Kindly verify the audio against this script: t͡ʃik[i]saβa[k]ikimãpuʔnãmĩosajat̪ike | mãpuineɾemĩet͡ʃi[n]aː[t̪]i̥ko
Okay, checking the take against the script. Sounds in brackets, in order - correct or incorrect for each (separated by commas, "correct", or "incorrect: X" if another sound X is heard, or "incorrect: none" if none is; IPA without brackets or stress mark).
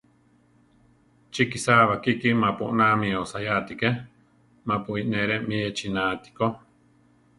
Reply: correct, correct, correct, correct